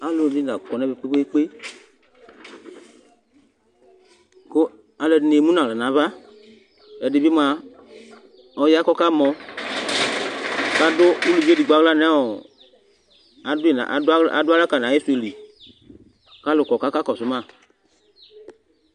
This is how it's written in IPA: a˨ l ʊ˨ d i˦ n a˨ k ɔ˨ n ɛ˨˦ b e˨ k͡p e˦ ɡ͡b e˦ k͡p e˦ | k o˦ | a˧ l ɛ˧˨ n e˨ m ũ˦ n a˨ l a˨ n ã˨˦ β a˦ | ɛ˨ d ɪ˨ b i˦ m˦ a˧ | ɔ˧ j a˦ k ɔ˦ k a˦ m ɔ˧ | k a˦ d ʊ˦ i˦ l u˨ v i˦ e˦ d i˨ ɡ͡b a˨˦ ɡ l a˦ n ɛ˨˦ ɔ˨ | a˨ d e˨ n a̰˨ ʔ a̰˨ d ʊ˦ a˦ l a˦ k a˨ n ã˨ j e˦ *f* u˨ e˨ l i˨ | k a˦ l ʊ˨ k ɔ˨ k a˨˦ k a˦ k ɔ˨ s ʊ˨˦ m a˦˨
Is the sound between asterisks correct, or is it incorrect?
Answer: incorrect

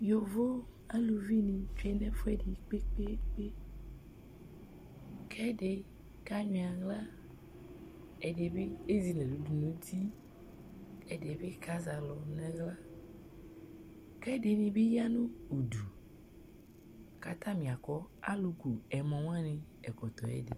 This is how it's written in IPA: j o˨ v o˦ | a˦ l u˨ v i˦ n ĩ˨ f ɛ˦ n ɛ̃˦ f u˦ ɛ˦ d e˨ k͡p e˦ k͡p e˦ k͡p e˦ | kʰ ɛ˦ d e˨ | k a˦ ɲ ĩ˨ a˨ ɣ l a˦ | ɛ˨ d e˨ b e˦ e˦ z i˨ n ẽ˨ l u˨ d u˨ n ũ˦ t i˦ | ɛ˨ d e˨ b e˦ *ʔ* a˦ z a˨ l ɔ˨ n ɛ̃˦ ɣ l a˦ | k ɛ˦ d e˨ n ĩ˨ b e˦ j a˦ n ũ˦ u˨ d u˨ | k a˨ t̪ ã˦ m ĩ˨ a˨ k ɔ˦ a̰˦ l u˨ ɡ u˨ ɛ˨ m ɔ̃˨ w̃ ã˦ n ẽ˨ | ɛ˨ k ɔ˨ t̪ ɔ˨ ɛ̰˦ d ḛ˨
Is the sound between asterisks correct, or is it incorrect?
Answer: incorrect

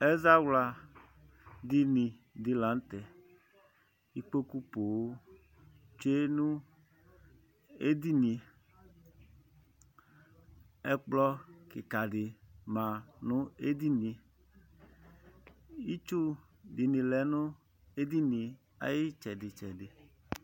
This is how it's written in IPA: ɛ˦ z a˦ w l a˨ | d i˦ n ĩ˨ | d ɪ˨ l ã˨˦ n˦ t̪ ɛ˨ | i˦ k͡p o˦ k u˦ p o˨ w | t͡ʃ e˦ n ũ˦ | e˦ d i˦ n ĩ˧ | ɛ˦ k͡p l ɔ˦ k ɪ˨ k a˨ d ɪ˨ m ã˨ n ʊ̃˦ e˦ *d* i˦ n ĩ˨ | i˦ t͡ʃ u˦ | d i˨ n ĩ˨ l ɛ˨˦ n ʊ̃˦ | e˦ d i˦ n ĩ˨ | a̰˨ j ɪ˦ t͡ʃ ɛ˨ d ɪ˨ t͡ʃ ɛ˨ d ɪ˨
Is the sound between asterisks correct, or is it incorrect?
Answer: correct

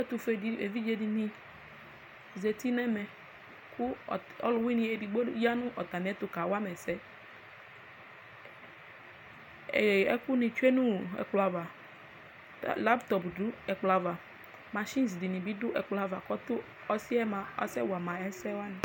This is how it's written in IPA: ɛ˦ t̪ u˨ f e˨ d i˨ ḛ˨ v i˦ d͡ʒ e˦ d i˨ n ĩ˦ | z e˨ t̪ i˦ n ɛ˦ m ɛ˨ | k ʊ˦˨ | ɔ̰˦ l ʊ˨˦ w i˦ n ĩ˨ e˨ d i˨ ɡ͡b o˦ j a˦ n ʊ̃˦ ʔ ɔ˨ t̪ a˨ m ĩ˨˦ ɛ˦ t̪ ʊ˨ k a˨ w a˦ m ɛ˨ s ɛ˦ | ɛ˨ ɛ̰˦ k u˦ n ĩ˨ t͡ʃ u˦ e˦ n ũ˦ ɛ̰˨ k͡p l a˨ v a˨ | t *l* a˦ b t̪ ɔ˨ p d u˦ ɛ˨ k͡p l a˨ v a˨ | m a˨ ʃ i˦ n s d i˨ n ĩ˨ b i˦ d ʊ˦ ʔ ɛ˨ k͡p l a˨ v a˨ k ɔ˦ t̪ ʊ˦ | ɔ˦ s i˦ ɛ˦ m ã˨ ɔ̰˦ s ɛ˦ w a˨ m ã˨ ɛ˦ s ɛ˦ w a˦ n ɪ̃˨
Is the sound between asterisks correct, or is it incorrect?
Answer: correct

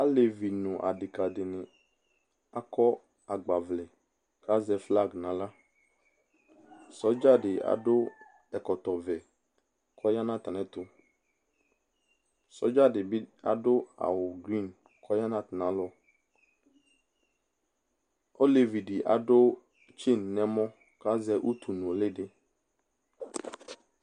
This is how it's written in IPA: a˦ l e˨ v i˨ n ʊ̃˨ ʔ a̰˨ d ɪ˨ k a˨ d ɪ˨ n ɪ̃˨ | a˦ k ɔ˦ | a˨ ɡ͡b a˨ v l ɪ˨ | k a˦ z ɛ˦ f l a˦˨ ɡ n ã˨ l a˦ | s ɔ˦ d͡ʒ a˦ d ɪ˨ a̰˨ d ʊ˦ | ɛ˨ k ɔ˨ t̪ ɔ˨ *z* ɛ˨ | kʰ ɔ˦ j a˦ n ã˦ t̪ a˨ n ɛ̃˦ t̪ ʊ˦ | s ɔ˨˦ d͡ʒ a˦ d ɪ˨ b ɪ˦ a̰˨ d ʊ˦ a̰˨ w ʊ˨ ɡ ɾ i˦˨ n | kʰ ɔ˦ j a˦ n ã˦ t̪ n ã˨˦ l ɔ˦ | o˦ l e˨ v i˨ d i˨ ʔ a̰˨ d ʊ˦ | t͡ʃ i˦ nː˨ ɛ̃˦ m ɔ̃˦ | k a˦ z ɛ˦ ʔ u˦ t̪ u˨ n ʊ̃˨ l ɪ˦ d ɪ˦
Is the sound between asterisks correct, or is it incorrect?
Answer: incorrect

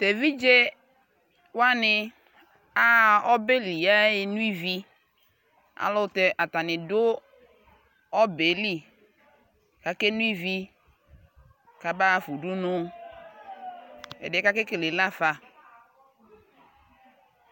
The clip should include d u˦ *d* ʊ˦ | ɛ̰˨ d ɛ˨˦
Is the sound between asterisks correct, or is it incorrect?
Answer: incorrect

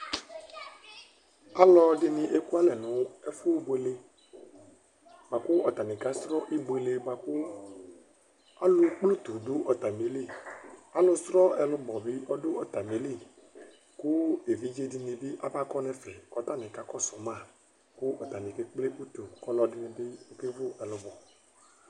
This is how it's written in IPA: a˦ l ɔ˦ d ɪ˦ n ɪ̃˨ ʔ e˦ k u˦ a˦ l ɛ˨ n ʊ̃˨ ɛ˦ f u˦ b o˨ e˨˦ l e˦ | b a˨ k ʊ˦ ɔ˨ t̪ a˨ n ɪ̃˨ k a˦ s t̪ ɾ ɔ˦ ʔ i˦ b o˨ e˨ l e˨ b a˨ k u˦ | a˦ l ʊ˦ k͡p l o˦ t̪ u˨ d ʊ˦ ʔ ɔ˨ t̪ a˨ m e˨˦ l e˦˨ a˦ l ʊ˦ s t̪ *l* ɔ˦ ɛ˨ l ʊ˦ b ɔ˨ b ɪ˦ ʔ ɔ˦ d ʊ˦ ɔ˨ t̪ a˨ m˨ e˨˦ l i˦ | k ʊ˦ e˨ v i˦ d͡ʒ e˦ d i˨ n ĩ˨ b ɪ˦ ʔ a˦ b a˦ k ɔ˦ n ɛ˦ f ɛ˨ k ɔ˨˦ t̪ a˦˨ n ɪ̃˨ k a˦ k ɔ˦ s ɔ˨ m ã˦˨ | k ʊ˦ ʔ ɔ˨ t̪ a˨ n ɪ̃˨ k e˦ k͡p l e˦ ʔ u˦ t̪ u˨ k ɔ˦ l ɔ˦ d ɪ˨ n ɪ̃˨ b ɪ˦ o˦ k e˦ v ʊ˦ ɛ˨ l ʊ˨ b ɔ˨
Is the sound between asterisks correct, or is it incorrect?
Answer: incorrect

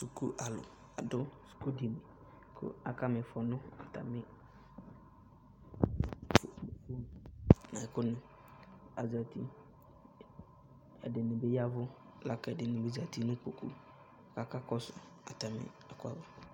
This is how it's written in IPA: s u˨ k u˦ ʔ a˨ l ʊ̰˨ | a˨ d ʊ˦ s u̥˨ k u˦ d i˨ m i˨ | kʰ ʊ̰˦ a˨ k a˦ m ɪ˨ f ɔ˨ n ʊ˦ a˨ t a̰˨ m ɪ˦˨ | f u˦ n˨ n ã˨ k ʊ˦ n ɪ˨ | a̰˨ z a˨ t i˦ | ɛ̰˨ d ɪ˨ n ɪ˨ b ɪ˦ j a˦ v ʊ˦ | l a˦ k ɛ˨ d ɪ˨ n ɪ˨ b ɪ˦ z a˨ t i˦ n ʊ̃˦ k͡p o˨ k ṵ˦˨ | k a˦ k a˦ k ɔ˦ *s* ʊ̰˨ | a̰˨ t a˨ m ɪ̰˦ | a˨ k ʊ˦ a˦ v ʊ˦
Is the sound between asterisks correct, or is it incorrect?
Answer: correct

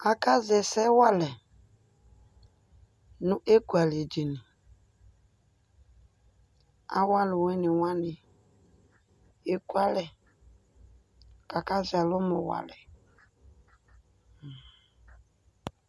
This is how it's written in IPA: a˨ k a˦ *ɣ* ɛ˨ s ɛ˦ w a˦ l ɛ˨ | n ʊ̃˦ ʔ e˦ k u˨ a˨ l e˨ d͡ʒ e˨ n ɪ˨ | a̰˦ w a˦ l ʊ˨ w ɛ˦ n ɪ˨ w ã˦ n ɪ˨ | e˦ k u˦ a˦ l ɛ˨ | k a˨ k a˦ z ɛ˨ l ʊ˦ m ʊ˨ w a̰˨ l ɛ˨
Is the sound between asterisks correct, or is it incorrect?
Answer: incorrect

